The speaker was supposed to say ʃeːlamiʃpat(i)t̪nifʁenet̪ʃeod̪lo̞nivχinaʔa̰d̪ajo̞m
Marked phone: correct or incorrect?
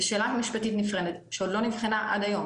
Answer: correct